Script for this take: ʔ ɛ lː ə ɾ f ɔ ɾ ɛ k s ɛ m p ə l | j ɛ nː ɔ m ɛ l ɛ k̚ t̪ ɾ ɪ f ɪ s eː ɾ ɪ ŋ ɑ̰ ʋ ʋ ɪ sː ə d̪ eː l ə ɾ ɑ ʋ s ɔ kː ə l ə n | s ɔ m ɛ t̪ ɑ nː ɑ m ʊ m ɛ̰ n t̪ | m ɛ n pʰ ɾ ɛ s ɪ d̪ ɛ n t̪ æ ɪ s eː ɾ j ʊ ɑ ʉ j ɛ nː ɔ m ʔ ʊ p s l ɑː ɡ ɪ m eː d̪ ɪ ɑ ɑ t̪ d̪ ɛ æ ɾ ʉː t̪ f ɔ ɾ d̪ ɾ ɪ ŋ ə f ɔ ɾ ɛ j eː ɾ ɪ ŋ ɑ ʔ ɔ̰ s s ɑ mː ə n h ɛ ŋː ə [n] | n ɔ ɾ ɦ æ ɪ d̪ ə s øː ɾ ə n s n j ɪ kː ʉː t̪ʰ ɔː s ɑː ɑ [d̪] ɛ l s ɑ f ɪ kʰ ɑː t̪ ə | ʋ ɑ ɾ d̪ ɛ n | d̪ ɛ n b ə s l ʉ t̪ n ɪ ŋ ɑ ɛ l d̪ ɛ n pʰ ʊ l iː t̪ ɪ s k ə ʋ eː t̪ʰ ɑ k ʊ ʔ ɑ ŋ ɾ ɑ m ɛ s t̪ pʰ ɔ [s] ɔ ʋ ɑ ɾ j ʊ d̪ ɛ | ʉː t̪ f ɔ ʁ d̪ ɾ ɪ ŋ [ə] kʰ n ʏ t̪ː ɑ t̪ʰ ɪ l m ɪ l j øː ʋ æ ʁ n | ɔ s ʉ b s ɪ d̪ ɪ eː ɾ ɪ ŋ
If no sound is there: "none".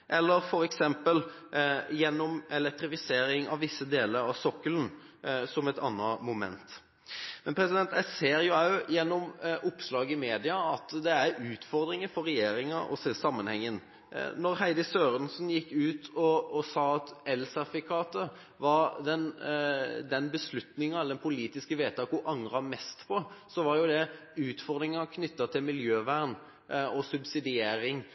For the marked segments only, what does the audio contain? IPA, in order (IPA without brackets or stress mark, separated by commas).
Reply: n, t̪, s, ɑ